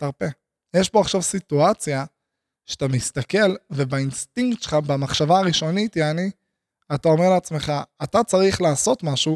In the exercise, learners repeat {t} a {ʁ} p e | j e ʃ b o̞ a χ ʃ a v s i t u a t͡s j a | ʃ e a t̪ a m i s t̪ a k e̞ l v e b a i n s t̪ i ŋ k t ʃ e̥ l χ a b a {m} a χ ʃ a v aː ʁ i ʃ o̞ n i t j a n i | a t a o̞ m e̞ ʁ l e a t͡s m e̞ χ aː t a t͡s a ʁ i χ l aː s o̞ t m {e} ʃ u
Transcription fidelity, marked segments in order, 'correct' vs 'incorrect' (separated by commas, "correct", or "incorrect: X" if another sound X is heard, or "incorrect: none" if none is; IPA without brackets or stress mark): correct, correct, correct, incorrect: a